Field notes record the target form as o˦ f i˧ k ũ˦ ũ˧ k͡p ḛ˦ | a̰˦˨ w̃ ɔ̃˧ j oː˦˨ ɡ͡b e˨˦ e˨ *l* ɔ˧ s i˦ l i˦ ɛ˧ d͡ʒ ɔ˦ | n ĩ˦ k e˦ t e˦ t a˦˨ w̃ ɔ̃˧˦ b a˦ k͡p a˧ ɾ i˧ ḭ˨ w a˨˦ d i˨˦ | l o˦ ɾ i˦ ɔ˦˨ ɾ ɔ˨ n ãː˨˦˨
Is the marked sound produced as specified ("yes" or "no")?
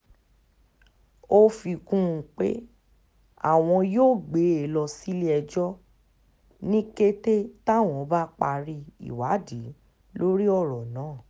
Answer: yes